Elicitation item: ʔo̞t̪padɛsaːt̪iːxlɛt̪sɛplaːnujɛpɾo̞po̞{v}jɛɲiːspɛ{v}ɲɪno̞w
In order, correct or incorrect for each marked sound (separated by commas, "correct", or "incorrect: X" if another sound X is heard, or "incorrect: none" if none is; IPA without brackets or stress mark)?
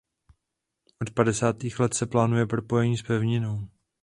incorrect: none, correct